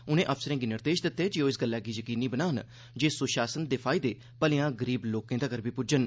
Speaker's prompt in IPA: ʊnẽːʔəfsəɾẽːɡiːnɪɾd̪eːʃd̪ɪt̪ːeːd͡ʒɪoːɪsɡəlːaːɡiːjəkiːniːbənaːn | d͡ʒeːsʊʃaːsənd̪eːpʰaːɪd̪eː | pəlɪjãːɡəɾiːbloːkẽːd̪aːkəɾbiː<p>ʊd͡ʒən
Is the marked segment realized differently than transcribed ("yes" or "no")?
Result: no